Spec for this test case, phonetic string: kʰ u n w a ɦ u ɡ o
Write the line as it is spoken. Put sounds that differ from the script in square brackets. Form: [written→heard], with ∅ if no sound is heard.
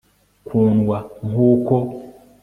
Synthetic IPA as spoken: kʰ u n w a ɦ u [ɡ→k] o